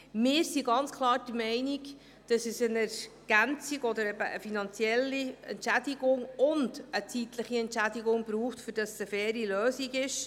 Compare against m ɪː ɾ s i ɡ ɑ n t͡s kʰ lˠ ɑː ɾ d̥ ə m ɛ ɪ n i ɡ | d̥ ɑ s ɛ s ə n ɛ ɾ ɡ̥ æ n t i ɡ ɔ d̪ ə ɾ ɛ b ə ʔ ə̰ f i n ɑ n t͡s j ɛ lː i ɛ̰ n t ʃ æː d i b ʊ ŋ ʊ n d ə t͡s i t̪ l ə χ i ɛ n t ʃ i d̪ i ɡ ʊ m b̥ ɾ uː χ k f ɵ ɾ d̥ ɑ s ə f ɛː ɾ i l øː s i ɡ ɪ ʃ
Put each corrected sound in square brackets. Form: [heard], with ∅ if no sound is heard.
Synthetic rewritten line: m ɪː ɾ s i ɡ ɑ n t͡s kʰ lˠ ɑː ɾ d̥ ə m ɛ ɪ n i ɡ | d̥ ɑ s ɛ s ə n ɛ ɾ ɡ̥ æ n [t͡s] i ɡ ɔ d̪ ə ɾ ɛ b ə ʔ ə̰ f i n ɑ n t͡s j ɛ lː i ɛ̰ n t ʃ [æ] d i [ɡ] ʊ ŋ ʊ n d ə t͡s i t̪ l ə χ i ɛ n t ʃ [æ] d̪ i ɡ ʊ [ŋ] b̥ ɾ uː χ [t] f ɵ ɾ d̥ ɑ s ə f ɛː ɾ i l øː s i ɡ ɪ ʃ